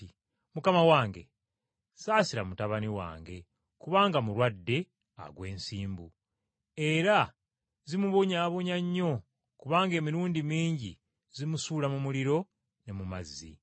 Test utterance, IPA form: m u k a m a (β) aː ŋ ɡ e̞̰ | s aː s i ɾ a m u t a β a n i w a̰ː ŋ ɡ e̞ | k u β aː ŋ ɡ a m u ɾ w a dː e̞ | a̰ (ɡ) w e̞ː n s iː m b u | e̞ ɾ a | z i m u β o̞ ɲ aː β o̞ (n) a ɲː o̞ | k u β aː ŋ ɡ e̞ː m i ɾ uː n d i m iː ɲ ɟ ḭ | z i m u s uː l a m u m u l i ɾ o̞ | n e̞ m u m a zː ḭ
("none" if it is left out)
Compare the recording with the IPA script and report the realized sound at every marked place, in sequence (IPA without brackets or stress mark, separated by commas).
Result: w, ɡ, ɲ